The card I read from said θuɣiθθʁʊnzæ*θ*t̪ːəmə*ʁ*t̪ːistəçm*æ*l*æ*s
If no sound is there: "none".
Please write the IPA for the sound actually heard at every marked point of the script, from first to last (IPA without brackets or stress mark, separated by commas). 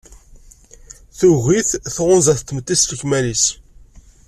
θ, none, æ, i